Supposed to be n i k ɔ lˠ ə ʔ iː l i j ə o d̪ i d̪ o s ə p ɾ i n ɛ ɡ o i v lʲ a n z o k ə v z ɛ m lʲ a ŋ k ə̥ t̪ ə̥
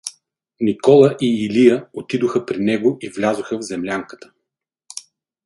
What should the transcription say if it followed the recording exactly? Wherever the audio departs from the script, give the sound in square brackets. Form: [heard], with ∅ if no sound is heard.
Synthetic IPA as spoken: n i k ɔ lˠ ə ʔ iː l i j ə o [t̪] i d̪ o [x] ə p ɾ i n ɛ ɡ o i v lʲ a [∅] z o [x] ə v z ɛ m lʲ a ŋ k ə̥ t̪ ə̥